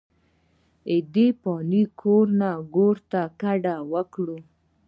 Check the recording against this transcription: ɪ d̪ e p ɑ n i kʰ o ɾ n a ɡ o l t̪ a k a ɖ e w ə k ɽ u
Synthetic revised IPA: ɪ d̪ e p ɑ n i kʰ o ɾ n a ɡ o ɾ t̪ a k a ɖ a w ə k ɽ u